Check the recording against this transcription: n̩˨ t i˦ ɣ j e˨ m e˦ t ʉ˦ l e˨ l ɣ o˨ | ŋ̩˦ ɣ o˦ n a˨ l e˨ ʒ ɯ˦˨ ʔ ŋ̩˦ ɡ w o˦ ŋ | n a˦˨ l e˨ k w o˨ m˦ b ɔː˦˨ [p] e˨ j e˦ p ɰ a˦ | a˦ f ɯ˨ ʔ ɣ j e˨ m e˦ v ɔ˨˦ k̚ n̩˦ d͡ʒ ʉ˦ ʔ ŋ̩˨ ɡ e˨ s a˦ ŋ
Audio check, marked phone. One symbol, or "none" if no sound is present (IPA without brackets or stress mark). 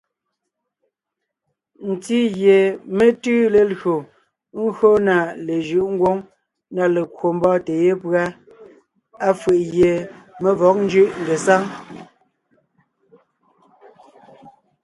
t